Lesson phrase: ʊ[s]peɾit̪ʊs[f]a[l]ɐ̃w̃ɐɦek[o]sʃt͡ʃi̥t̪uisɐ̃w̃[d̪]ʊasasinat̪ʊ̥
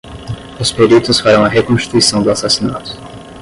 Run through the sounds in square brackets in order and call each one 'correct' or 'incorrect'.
correct, correct, incorrect, incorrect, correct

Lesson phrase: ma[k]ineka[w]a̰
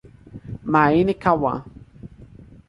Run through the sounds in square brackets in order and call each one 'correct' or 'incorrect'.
incorrect, correct

